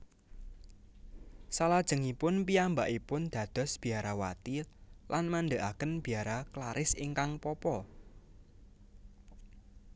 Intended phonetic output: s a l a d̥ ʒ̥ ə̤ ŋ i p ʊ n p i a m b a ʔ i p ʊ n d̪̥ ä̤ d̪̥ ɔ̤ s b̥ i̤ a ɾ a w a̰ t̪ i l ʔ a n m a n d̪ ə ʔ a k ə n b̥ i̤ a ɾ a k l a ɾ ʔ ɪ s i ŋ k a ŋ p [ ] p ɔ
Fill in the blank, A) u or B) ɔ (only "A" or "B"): B